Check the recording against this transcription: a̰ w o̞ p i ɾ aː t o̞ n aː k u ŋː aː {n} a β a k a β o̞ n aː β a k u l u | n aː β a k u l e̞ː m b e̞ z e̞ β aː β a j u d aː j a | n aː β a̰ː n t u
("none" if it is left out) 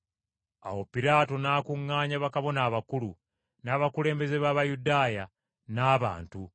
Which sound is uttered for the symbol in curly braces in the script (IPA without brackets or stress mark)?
ɲ